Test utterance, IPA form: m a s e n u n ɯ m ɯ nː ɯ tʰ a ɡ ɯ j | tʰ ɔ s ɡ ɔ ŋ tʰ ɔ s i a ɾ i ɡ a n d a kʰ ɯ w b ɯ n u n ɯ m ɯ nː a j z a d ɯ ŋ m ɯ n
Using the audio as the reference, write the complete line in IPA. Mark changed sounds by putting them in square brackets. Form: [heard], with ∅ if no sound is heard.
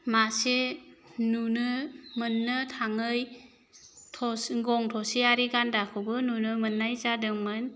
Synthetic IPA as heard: m a s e n u n ɯ m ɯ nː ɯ tʰ a [ŋ] ɯ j | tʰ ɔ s ɡ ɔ ŋ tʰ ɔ s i a ɾ i ɡ a n d a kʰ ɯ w b ɯ n u n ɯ m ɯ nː a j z a d ɯ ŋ m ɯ n